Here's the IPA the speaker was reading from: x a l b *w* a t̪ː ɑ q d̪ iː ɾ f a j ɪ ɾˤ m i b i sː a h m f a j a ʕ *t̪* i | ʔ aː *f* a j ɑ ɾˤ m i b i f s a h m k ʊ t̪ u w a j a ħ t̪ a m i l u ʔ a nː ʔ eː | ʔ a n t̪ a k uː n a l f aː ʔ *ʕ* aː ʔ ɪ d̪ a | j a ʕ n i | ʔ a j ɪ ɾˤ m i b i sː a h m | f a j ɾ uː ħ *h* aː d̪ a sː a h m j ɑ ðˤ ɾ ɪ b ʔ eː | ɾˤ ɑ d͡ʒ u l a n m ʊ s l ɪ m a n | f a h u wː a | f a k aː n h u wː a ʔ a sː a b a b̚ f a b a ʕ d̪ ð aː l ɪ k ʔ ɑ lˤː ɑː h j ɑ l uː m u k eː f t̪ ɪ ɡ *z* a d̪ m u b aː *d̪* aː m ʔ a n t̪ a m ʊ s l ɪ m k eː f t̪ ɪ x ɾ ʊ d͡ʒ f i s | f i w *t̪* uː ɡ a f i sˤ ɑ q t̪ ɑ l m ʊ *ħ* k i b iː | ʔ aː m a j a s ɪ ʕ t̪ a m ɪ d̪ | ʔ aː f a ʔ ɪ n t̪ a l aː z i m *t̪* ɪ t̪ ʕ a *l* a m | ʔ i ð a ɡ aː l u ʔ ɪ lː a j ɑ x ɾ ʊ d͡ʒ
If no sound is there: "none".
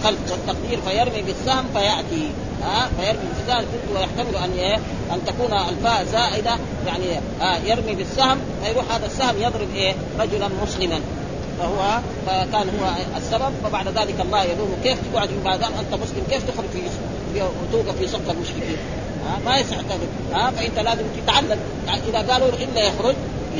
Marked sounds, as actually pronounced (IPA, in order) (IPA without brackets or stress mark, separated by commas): w, t̪, f, z, h, ʕ, d̪, t̪, ʃ, t̪, lː